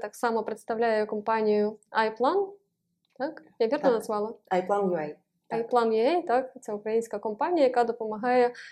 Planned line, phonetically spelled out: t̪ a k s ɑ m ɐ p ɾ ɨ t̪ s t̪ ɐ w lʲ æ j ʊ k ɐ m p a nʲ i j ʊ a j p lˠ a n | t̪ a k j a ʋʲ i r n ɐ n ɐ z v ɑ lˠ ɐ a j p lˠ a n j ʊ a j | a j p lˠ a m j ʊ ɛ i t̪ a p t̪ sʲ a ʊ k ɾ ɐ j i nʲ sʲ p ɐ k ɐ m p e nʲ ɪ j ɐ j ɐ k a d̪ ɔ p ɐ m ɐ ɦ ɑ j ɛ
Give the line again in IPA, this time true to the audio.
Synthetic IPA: t̪ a k s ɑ m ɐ p ɾ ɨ t̪ s t̪ ɐ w lʲ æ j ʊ k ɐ m p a nʲ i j ʊ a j p lˠ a n | t̪ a k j a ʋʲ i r n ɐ n ɐ z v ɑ lˠ ɐ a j p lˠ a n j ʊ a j | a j p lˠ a n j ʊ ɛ j t̪ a k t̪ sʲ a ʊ k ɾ ɐ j i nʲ sʲ k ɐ k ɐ m p a nʲ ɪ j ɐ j ɐ k a d̪ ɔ p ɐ m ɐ ɦ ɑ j ɛ